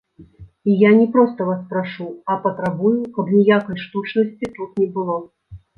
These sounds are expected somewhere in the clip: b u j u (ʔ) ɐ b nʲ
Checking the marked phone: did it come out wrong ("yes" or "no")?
yes